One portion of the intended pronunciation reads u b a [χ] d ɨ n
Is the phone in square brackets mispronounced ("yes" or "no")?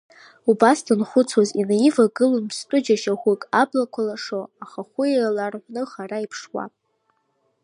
yes